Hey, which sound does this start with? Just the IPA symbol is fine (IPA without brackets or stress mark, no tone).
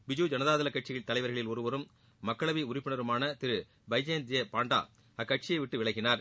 b